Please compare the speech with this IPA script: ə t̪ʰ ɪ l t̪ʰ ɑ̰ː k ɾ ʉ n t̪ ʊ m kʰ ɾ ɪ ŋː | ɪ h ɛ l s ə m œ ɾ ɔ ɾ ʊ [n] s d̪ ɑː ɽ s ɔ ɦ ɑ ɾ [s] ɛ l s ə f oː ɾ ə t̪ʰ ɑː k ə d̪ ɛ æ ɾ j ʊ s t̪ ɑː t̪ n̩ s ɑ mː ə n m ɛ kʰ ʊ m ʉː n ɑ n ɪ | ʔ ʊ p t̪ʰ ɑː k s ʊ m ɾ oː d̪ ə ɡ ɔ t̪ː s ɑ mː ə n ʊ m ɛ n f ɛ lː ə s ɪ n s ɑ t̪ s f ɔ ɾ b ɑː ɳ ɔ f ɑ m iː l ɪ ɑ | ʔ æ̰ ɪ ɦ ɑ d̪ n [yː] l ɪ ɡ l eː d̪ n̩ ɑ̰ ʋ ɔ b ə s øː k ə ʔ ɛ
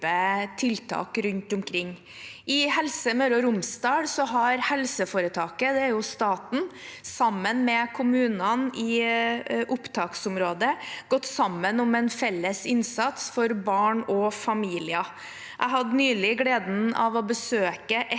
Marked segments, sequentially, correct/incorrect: incorrect: m, incorrect: h, correct

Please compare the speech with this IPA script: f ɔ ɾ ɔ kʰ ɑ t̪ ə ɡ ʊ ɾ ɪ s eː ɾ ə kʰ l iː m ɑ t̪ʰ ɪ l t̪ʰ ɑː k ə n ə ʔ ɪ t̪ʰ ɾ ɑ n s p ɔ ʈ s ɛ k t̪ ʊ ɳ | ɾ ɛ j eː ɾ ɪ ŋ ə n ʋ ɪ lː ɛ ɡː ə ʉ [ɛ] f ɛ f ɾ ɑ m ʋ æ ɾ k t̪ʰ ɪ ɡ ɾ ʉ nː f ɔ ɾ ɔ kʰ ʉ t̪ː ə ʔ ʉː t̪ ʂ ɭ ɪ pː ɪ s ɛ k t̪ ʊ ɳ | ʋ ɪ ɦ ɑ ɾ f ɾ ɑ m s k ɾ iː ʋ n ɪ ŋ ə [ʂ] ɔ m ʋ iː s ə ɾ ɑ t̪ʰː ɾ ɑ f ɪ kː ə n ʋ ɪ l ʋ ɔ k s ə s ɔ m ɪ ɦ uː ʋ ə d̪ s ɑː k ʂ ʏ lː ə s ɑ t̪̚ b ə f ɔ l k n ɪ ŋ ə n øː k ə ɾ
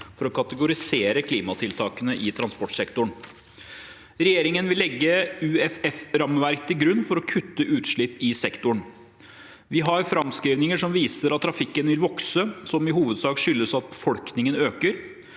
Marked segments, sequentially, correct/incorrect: correct, correct

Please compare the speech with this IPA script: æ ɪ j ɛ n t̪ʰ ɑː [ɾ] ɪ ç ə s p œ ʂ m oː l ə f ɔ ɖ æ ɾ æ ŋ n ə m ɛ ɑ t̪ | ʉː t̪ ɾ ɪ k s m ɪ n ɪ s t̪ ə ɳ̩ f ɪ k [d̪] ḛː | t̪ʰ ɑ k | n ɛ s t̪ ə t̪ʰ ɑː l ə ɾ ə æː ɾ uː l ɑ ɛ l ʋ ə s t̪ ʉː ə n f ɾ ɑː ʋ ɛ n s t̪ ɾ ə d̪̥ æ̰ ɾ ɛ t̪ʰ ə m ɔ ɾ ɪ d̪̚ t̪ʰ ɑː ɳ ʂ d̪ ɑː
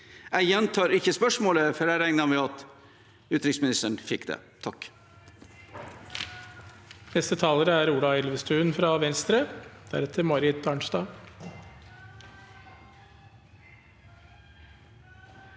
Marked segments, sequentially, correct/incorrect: correct, correct

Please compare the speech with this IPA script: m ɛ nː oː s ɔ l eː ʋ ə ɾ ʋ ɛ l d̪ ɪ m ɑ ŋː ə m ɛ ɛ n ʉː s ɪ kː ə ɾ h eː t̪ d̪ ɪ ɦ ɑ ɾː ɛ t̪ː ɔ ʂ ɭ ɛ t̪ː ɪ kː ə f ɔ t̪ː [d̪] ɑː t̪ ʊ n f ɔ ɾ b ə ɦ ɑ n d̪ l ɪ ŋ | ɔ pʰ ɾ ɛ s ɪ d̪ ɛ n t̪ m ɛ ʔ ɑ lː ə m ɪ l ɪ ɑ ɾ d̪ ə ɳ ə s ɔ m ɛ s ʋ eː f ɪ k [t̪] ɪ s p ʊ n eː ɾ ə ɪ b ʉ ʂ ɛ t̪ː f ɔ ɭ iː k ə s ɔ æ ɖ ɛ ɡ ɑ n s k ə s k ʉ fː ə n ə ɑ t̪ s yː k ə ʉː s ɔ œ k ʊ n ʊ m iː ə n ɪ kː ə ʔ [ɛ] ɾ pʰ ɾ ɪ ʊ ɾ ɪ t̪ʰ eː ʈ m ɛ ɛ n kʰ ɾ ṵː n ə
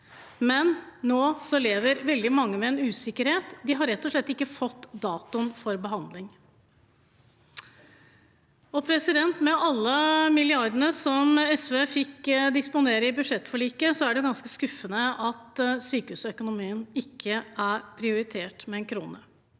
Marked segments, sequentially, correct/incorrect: correct, incorrect: d̪, incorrect: æ

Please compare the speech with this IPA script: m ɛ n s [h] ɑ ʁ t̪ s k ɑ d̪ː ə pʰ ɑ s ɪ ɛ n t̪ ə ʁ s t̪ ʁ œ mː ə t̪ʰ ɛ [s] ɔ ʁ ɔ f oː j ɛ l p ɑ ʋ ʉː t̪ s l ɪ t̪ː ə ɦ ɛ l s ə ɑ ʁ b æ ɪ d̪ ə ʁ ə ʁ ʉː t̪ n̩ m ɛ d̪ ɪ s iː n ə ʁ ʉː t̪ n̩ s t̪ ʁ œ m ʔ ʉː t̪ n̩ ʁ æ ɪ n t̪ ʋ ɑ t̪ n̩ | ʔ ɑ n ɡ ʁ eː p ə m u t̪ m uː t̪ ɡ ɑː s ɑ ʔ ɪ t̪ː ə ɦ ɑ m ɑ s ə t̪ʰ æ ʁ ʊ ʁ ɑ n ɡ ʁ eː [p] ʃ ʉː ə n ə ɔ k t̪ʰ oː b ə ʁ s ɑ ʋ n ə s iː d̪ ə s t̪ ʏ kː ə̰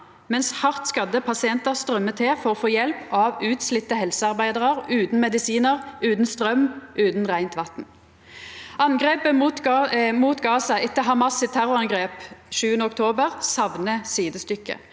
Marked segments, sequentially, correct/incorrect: correct, incorrect: f, correct

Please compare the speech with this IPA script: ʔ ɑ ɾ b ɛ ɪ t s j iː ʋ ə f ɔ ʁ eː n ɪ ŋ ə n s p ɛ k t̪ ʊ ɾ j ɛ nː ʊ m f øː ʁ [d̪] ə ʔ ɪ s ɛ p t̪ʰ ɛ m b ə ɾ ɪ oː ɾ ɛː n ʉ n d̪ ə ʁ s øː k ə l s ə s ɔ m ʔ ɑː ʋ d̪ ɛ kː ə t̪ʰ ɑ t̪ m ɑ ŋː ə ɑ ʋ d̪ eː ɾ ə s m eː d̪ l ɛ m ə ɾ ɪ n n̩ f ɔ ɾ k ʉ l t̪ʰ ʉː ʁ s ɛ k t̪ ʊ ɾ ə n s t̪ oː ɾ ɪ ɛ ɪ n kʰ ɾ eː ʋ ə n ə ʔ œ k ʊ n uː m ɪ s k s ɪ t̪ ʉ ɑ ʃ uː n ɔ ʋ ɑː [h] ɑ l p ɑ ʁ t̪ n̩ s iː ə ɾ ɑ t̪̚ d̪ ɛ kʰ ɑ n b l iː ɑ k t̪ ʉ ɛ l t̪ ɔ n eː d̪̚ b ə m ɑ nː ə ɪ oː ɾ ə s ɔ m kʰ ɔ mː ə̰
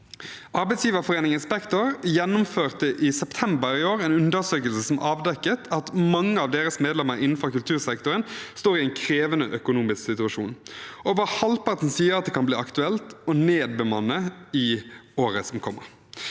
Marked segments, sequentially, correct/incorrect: incorrect: t̪, correct

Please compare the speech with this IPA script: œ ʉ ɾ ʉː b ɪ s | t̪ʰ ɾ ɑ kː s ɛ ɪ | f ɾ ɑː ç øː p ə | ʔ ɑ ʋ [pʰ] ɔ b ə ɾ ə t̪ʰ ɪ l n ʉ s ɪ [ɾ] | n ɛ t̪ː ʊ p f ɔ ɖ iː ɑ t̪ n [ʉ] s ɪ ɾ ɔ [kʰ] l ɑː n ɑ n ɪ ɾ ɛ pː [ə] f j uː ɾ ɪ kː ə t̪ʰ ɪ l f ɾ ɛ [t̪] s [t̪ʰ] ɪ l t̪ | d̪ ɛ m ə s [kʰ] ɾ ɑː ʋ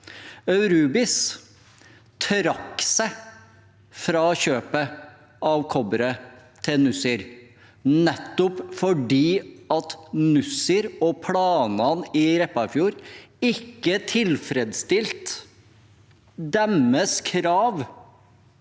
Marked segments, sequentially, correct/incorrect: incorrect: kʰ, correct, correct, incorrect: pʰ, incorrect: ɑ, incorrect: d̪, incorrect: t̪, correct

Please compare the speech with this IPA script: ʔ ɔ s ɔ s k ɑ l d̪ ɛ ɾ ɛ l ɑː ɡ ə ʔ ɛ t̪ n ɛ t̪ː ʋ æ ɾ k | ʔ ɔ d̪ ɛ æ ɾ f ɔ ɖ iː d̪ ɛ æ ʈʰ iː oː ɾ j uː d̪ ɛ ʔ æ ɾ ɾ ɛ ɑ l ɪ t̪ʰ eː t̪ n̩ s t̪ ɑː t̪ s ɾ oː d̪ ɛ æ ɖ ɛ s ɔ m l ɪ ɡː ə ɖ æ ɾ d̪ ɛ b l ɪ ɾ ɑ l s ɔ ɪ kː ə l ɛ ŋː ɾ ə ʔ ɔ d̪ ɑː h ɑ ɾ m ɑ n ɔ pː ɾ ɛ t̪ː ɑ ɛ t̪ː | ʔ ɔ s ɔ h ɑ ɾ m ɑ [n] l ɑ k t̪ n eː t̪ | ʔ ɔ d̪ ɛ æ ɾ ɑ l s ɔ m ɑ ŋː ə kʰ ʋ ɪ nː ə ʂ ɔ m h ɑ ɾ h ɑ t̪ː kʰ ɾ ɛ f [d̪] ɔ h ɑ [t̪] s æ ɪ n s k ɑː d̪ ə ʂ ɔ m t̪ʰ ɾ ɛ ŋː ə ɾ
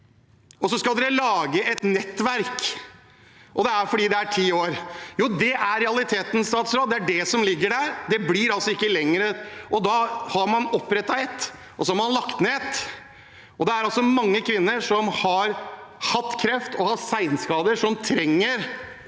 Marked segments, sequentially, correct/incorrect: correct, incorrect: t̪, correct

